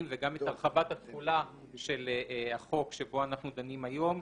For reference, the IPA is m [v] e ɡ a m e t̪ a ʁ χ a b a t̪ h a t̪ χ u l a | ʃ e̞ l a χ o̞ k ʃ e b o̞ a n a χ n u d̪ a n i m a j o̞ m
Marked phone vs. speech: correct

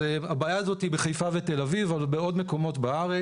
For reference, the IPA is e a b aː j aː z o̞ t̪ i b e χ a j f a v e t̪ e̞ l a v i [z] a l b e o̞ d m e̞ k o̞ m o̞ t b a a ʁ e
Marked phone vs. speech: incorrect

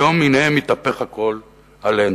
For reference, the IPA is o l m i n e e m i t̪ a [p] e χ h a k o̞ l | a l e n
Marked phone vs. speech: correct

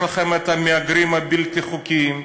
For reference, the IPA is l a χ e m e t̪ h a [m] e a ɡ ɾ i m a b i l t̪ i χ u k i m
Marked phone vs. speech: correct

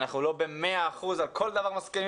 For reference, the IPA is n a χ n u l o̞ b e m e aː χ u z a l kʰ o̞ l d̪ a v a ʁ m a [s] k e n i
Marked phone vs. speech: correct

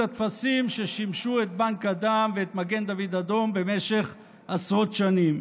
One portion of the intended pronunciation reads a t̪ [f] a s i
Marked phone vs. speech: correct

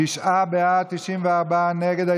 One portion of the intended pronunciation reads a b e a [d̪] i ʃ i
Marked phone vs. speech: incorrect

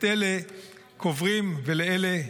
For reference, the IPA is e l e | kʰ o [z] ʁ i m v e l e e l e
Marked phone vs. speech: incorrect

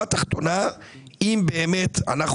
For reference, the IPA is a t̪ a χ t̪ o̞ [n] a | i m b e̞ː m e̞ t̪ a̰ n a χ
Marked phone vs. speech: correct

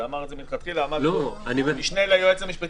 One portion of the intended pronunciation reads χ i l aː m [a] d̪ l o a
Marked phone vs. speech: correct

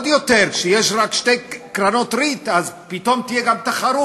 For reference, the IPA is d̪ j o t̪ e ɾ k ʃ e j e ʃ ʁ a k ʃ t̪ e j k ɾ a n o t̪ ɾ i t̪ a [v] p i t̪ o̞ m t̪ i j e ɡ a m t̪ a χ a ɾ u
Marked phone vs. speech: incorrect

